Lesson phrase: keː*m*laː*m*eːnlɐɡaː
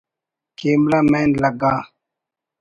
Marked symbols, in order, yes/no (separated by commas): yes, yes